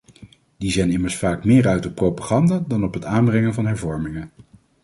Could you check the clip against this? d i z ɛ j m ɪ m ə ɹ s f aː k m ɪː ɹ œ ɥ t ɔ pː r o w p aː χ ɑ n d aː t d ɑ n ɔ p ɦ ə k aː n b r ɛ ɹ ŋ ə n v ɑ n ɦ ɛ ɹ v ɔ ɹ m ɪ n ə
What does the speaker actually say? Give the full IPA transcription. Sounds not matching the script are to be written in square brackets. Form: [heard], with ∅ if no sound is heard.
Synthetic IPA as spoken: d i z ɛ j [n] ɪ m ə ɹ s f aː k m ɪː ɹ œ ɥ t ɔ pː r o w p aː χ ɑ n d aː [∅] d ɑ n ɔ p ɦ ə [t] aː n b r ɛ [∅] ŋ ə n v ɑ n ɦ ɛ ɹ v ɔ ɹ m ɪ [ŋ] ə